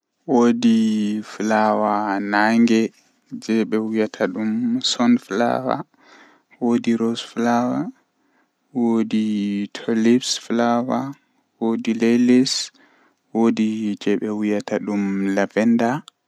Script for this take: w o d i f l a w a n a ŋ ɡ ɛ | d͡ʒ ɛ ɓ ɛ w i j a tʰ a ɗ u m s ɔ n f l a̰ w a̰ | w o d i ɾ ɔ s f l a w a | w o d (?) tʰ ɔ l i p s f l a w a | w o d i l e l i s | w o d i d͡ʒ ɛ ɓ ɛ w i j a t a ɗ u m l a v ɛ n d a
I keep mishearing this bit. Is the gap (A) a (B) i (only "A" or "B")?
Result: B